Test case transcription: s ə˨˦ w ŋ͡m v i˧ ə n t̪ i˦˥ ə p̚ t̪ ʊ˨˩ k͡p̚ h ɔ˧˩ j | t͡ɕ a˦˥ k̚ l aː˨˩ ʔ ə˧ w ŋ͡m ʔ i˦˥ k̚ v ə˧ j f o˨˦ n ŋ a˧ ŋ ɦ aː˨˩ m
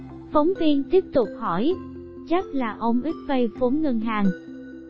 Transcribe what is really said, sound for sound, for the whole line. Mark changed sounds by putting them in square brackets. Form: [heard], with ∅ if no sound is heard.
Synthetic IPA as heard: [f] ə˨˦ w ŋ͡m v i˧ ə n t̪ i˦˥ ə p̚ t̪ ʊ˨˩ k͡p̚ h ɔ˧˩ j | t͡ɕ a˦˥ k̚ l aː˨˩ ʔ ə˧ w ŋ͡m ʔ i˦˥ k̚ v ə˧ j f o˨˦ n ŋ [ə˧] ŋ ɦ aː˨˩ [ŋ]